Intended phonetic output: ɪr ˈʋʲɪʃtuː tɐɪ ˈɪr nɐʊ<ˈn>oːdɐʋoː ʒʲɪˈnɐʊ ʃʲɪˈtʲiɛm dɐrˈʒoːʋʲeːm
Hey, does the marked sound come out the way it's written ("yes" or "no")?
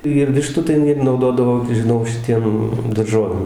no